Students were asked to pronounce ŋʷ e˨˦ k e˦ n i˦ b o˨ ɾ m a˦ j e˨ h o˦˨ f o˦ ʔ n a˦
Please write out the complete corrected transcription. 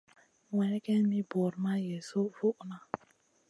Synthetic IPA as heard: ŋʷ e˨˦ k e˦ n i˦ b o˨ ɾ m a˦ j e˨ s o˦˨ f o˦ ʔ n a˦